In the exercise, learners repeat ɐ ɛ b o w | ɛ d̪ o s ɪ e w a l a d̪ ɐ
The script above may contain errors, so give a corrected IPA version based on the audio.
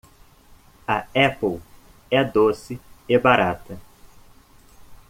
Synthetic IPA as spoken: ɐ ɛ p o w | ɛ d̪ o s ɪ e b a ɾ a t̪ ɐ